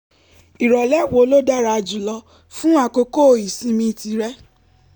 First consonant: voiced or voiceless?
voiced